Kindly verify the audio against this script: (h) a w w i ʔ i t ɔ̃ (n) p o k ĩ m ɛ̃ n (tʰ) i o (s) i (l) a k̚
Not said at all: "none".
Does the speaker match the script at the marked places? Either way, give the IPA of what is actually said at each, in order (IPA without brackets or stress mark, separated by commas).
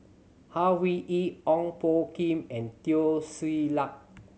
h, ŋ, t, s, l